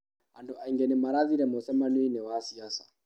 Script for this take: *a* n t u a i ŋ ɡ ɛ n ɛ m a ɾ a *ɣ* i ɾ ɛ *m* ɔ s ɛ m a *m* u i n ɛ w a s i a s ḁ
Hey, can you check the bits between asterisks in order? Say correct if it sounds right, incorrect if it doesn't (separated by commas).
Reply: correct, incorrect, correct, incorrect